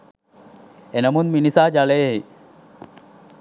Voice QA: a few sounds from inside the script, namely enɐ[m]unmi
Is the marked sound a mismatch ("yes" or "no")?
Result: no